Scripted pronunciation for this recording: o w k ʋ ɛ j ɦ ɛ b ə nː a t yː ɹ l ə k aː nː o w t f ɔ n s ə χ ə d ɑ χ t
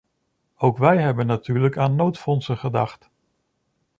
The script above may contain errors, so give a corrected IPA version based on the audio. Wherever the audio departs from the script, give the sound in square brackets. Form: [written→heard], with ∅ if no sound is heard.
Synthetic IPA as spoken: o w k ʋ ɛ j ɦ ɛ b ə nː a t yː ɹ l ə k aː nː o w t f ɔ n s ə χ ə d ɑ χ t